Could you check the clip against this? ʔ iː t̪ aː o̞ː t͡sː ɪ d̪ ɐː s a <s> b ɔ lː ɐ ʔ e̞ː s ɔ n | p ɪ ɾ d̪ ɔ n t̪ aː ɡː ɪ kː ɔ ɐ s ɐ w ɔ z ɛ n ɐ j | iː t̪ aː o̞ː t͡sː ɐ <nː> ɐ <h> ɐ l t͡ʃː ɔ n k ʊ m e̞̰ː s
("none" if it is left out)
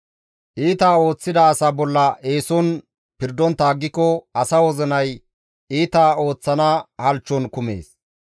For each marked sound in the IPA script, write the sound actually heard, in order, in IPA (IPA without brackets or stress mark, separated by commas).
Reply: none, n, h